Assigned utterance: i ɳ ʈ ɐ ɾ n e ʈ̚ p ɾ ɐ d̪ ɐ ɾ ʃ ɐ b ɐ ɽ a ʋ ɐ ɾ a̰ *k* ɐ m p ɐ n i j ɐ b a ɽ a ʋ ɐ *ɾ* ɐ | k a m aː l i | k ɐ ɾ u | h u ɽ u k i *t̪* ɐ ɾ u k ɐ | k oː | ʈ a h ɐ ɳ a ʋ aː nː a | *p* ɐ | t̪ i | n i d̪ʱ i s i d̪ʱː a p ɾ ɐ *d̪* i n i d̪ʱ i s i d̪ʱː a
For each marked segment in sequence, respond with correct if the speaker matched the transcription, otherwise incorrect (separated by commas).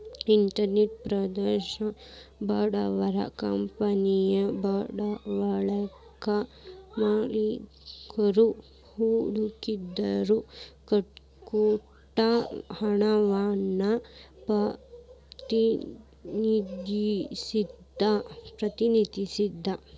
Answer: correct, incorrect, incorrect, correct, incorrect